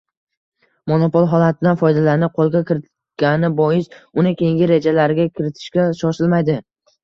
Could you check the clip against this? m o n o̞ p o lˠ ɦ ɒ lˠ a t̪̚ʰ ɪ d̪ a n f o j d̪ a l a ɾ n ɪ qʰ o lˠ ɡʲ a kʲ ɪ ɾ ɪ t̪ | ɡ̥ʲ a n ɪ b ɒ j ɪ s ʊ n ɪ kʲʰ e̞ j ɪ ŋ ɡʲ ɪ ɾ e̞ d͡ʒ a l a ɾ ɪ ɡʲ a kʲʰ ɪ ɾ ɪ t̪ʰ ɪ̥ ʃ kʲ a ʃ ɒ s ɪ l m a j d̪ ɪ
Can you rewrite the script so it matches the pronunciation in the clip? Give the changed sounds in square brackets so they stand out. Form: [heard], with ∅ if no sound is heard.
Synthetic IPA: m o n o̞ p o lˠ ɦ ɒ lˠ a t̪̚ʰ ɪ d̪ a n f [ɒ] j d̪ a l a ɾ n ɪ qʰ o lˠ ɡʲ a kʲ ɪ ɾ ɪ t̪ | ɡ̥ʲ a n ɪ b ɒ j ɪ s ʊ n ɪ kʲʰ e̞ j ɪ ŋ ɡʲ ɪ ɾ e̞ d͡ʒ a l a ɾ ɪ ɡʲ a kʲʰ ɪ ɾ ɪ t̪ʰ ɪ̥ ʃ kʲ a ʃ ɒ [ʃ] ɪ l m a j d̪ ɪ